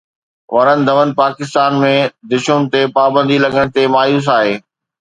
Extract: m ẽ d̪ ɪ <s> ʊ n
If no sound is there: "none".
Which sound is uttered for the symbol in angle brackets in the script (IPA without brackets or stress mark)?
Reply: ʃ